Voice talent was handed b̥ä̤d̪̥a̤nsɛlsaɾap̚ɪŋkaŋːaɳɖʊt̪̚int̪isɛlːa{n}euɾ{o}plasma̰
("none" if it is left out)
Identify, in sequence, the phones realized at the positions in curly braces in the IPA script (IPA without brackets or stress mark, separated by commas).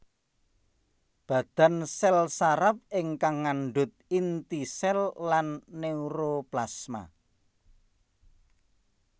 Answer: nː, o